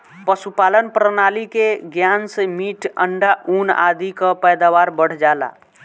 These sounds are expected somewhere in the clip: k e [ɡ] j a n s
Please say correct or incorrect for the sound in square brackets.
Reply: correct